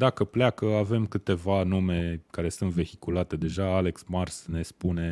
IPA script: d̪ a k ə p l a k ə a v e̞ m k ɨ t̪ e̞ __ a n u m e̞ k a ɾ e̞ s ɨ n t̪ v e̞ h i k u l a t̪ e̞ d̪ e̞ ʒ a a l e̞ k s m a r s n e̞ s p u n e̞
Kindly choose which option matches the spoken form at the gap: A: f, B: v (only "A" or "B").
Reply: B